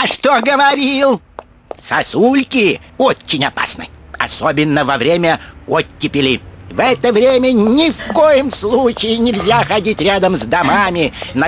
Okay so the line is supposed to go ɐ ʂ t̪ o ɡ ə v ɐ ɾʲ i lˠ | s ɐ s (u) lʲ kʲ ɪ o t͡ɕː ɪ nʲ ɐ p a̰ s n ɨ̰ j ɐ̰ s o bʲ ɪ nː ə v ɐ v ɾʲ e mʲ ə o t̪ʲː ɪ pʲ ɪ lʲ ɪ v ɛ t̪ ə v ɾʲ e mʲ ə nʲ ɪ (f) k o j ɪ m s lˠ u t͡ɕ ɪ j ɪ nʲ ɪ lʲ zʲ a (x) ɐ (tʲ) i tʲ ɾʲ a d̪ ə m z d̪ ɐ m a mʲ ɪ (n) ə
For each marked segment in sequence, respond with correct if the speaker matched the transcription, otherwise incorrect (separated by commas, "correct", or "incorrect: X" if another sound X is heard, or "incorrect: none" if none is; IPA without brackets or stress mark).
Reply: correct, correct, correct, incorrect: dʲ, correct